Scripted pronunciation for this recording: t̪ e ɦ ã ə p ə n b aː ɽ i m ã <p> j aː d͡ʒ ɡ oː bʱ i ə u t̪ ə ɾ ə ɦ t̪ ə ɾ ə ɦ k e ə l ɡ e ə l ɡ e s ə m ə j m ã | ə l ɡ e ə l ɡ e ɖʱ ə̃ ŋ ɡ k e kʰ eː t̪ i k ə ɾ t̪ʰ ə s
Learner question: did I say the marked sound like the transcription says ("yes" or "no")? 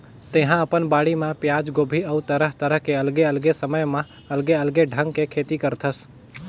yes